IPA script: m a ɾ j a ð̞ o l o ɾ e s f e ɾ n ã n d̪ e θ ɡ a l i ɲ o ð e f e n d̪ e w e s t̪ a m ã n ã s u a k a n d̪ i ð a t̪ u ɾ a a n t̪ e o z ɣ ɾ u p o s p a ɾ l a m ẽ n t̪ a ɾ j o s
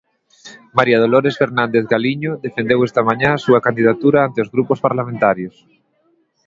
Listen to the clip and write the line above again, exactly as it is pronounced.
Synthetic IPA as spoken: m a ɾ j a ð̞ o l o ɾ e s f e ɾ n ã n d̪ e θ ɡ a l i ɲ o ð e f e n d̪ e w e s t̪ a m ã ɲ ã s u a k a n d̪ i ð a t̪ u ɾ a a n t̪ e o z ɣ ɾ u p o s p a ɾ l a m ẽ n t̪ a ɾ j o s